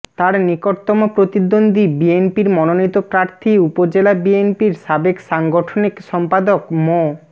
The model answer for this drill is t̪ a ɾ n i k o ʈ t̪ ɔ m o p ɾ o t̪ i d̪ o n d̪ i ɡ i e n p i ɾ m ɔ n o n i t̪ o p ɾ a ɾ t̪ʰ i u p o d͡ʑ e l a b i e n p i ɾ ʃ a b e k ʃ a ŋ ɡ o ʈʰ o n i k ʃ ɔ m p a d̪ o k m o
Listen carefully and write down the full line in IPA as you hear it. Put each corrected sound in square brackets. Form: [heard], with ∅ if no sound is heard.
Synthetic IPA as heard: t̪ a ɾ n i k o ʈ t̪ ɔ m o p ɾ o t̪ i d̪ o n d̪ i [b] i e n p i ɾ m ɔ n o n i t̪ o p ɾ a ɾ t̪ʰ i u p o d͡ʑ e l a b i e n p i ɾ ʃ a b e k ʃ a ŋ ɡ o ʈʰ o n i k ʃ ɔ m p a d̪ o k m o